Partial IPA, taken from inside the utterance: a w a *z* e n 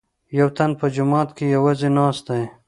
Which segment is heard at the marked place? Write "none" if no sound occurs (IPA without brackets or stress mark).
z